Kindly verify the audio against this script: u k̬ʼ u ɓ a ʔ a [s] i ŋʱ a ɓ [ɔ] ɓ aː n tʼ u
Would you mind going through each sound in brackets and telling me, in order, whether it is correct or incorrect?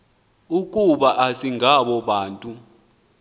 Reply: correct, correct

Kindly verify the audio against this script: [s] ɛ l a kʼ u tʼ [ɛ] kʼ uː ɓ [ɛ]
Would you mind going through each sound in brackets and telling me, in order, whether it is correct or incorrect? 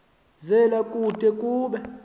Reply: incorrect: z, correct, correct

